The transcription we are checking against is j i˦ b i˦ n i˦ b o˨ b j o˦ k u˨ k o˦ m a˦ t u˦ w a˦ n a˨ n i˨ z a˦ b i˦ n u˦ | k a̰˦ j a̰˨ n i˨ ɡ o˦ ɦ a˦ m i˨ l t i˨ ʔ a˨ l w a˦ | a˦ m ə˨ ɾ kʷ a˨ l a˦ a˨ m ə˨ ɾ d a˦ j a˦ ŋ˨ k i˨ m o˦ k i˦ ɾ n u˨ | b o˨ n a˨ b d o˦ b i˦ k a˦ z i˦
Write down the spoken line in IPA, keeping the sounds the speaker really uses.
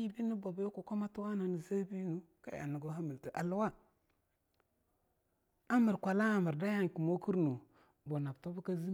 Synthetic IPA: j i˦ b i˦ n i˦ b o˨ b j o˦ k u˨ k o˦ m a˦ t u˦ w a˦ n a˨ n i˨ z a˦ b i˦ n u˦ | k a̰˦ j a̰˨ n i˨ ɡ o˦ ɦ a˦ m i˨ l t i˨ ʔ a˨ l w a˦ | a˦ m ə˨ ɾ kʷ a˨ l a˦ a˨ m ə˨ ɾ d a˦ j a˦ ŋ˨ k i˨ m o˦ k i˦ ɾ n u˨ | b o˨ n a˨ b t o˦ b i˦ k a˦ z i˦

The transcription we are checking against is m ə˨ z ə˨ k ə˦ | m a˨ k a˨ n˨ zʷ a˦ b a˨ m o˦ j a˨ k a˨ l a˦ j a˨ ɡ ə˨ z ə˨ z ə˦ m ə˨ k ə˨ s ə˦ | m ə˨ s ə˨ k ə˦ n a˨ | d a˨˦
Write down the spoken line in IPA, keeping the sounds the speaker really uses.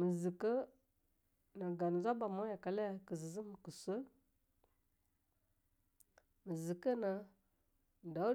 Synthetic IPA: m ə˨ z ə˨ k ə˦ | n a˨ ɡ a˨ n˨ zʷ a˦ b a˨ m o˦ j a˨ k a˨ l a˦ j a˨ k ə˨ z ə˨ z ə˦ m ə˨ k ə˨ s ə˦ | m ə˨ z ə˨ k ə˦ n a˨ | d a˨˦

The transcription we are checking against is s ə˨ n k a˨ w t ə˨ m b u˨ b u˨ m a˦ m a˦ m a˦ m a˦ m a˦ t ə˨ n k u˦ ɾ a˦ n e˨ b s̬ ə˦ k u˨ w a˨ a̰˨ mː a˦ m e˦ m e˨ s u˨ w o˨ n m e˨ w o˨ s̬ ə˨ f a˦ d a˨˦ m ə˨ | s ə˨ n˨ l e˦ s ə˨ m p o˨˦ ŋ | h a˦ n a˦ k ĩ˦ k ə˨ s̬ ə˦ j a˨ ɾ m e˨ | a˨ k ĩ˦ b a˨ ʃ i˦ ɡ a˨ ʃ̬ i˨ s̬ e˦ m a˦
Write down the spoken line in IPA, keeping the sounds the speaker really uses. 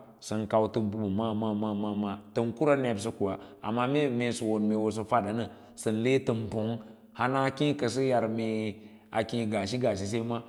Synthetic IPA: s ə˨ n k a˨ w t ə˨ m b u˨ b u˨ m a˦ m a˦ m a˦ m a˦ m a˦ t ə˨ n k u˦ ɾ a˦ n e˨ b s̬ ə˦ k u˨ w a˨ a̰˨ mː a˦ m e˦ m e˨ s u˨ w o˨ n m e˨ w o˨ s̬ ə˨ f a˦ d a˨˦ n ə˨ | s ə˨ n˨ l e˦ t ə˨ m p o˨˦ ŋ | h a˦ n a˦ k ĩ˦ k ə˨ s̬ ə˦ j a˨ ɾ m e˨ | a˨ k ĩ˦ ɡ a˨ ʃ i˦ ɡ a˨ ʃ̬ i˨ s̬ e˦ m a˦

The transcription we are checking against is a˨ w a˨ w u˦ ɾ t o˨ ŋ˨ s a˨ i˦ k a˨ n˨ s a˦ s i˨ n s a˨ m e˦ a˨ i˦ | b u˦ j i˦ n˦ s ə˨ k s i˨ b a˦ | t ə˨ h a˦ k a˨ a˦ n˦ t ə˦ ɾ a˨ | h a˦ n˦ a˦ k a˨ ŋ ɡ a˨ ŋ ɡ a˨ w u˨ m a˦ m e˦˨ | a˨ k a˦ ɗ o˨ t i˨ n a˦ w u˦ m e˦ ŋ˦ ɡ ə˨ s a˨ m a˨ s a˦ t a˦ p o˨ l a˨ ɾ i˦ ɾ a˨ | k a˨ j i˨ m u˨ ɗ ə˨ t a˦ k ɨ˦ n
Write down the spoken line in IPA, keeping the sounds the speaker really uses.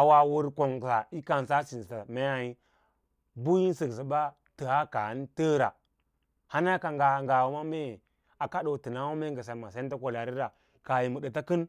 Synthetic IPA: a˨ w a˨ w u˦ ɾ k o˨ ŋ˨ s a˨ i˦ k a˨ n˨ s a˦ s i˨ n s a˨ m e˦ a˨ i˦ | b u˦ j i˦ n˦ s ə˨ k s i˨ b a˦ | t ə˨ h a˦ k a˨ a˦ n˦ t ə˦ ɾ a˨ | h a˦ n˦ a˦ k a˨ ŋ ɡ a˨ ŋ ɡ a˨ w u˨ m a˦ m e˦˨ | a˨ k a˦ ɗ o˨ t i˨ n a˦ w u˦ m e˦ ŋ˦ ɡ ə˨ s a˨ m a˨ s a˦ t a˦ k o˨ l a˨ ɾ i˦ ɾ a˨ | k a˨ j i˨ m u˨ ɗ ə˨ t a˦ k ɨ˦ n

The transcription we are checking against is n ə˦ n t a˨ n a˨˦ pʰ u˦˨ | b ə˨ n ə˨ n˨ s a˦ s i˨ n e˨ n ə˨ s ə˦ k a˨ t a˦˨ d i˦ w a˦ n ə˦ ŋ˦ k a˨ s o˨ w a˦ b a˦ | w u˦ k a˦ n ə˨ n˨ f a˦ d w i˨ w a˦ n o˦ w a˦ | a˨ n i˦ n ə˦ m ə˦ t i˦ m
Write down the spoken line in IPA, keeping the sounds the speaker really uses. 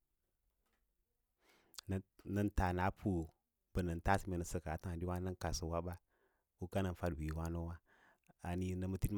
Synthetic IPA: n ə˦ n t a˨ n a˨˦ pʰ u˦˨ | b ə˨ n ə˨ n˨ t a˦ s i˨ m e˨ n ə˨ s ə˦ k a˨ t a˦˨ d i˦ w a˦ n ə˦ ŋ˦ k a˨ s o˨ w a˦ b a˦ | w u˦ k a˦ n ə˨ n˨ f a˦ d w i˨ w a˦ n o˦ w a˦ | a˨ n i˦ n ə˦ m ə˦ t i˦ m

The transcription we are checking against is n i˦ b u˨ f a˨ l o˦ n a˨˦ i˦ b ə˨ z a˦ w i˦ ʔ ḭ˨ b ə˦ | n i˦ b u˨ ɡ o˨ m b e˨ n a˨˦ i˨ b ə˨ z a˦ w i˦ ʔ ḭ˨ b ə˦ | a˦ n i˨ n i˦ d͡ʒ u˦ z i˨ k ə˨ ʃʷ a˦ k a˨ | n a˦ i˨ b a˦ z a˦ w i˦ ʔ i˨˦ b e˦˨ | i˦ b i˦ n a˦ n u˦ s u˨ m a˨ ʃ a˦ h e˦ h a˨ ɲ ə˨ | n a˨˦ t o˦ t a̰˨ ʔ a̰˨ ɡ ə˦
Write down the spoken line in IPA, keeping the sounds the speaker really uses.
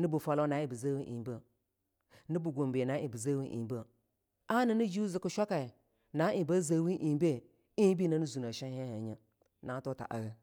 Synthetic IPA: n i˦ b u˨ f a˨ l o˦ n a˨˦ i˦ b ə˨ z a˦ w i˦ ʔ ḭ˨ b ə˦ | n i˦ b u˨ ɡ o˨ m b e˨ n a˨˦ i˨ b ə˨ z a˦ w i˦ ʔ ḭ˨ b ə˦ | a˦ n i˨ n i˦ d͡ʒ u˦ z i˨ k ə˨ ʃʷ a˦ k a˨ | n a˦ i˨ b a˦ z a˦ w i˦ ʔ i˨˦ b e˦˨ | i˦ b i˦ n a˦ n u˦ z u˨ n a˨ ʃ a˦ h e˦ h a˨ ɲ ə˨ | n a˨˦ t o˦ t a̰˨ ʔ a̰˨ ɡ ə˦

